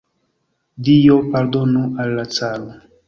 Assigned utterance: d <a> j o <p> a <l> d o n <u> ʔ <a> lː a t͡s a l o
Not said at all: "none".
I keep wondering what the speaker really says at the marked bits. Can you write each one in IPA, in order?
i, p, ɾ, u, a

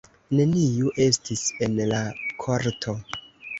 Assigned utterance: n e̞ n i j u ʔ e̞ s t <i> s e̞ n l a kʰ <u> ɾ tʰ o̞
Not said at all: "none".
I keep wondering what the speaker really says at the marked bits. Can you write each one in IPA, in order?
i, o

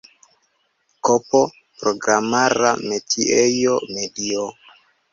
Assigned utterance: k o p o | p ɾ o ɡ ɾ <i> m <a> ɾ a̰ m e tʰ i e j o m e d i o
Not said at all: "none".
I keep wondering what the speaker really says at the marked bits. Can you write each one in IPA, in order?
a, a

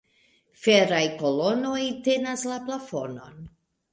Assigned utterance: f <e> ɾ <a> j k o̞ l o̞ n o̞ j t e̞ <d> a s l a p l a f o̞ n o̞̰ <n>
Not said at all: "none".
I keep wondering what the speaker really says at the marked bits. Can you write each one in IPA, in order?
e, a, n, n

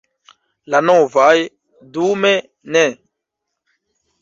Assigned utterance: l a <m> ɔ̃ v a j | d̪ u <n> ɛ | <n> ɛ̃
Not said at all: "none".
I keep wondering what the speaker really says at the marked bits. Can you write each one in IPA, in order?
n, m, n

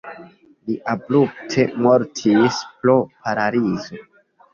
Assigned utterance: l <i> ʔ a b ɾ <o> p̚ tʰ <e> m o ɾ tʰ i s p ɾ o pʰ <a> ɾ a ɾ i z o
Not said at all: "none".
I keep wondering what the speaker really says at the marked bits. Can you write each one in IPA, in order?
i, u, e, a

